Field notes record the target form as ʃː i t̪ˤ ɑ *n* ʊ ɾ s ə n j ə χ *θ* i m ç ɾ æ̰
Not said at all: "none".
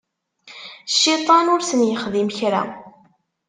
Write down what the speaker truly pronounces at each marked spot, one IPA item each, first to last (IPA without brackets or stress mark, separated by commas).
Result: n, ð